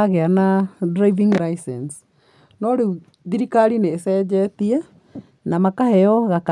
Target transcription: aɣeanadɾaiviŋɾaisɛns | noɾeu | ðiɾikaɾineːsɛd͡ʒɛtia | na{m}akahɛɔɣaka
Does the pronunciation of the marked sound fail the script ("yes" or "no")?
no